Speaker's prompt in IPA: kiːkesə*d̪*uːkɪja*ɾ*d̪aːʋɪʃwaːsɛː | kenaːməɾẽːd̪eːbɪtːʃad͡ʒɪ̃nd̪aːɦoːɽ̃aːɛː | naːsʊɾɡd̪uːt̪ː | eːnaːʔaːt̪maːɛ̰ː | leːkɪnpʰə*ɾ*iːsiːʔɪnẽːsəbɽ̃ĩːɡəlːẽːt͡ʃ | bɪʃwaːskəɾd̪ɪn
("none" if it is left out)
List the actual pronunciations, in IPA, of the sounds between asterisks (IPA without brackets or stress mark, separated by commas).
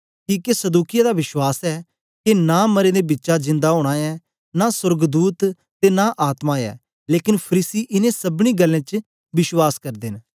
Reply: d̪, none, ɾ